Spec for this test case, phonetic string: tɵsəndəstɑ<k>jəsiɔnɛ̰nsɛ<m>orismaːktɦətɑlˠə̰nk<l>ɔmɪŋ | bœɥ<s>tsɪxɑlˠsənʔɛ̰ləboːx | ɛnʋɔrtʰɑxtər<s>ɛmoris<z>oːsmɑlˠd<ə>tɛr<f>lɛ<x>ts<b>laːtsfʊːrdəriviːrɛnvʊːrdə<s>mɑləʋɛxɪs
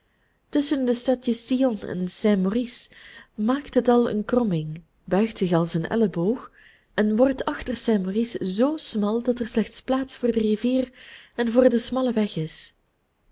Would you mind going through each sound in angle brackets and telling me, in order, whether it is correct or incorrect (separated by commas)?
incorrect, correct, incorrect, incorrect, correct, correct, incorrect, incorrect, correct, incorrect, correct